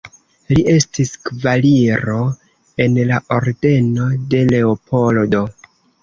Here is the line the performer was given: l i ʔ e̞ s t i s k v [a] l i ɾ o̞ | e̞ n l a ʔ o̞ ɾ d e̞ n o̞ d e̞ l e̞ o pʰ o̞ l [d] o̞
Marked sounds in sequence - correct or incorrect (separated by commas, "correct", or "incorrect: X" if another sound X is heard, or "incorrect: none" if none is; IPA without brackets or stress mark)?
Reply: correct, correct